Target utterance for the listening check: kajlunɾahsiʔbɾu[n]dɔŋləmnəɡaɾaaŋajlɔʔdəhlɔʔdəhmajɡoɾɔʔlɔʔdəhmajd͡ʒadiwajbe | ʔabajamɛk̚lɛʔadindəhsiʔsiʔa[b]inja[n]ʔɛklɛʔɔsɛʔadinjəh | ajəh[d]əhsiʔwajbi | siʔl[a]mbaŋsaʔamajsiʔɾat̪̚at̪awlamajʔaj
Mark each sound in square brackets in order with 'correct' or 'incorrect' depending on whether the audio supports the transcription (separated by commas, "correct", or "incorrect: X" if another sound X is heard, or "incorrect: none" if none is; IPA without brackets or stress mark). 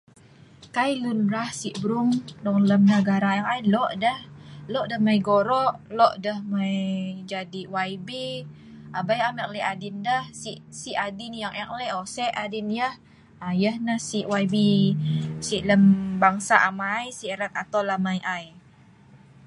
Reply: incorrect: ŋ, incorrect: d, incorrect: ŋ, incorrect: n, incorrect: ə